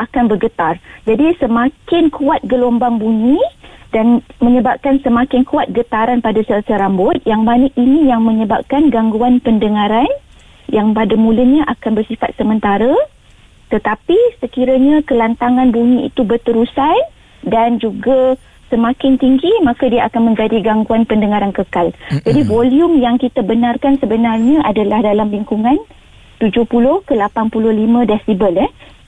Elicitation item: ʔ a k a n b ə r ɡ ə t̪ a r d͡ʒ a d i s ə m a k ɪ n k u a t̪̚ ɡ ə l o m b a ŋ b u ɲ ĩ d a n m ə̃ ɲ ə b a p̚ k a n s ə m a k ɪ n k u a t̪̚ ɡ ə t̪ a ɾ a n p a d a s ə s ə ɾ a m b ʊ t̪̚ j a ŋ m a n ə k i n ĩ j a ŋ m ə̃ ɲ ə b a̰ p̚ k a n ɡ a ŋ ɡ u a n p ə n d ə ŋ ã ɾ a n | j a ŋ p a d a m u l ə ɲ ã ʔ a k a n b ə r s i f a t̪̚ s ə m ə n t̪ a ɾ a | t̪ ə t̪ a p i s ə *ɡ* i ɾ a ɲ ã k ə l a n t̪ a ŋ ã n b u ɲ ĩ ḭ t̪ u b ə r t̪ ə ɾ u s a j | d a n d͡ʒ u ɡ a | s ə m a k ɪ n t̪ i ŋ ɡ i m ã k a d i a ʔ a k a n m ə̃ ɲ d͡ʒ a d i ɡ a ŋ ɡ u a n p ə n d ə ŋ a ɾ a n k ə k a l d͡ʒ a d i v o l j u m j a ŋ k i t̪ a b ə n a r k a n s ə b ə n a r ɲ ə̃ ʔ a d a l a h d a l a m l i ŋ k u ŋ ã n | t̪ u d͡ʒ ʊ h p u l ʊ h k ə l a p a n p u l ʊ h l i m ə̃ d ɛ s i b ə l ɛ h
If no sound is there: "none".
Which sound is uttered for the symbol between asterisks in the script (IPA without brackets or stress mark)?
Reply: k